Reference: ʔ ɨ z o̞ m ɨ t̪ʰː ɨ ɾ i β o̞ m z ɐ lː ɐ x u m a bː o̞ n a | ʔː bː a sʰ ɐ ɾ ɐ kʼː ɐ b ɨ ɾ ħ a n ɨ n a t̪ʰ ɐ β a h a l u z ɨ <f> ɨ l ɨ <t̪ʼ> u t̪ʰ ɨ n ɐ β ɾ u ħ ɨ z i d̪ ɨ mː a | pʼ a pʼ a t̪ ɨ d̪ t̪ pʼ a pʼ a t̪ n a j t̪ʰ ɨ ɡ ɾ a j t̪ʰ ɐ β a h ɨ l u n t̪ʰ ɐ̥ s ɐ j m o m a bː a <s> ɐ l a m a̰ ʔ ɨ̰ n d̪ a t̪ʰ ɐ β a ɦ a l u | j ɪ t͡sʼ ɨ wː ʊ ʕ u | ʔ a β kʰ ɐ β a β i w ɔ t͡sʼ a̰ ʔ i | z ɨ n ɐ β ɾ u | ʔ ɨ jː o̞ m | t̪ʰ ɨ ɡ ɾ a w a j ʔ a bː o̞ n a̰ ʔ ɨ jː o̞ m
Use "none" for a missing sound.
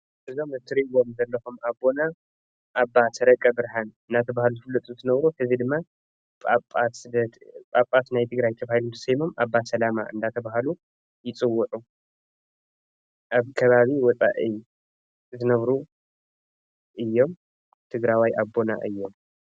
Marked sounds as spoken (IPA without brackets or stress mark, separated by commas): f, t̪ʼ, s